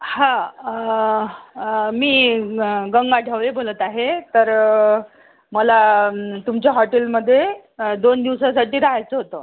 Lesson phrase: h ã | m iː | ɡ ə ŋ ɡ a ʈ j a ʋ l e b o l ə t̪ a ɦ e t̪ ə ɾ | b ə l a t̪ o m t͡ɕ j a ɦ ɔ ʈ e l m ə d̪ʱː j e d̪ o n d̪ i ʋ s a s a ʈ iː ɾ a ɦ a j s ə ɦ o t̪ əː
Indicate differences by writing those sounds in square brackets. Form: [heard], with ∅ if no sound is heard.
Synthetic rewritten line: h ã | m iː | ɡ ə ŋ ɡ a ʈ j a ʋ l e b o l ə t̪ a ɦ e t̪ ə ɾ | [m] ə l a t̪ [u] m t͡ɕ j a ɦ ɔ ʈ e l m ə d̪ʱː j e d̪ o n d̪ i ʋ s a s a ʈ iː ɾ a ɦ a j [t͡s] ə ɦ o t̪ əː